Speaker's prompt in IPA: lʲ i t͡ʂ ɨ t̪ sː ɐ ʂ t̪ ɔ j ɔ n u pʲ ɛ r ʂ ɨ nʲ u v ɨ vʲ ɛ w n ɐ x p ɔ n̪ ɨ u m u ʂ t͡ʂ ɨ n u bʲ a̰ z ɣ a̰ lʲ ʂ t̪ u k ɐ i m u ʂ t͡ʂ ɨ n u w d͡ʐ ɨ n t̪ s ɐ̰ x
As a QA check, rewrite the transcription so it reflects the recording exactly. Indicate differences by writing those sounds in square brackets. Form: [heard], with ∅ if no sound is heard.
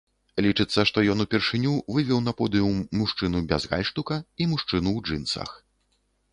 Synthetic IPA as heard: lʲ i t͡ʂ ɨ t̪ sː ɐ ʂ t̪ ɔ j ɔ n u pʲ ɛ r ʂ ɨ nʲ u v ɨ vʲ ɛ w n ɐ [∅] p ɔ [d̪] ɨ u m u ʂ t͡ʂ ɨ n u bʲ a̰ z ɣ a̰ lʲ ʂ t̪ u k ɐ i m u ʂ t͡ʂ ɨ n u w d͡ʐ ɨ n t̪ s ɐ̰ x